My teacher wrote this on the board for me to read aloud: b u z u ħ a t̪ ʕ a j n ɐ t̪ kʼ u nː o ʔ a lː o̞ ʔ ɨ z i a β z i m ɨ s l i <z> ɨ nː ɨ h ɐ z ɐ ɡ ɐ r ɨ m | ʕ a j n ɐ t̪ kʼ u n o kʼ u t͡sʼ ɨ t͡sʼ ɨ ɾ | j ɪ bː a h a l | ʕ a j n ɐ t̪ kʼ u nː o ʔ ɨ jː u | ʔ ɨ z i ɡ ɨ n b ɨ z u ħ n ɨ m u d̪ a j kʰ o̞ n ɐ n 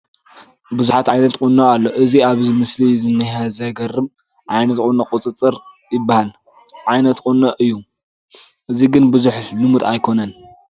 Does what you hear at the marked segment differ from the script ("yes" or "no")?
no